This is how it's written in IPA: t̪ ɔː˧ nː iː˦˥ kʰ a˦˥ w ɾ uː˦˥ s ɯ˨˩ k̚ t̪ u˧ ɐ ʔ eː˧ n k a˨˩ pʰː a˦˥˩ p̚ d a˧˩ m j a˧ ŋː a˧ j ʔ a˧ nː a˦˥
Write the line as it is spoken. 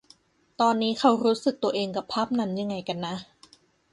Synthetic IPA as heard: t̪ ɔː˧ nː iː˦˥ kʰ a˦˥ w ɾ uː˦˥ s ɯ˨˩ k̚ t̪ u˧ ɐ ʔ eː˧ ŋ k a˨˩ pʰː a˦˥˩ p̚ n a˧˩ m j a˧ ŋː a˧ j k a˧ nː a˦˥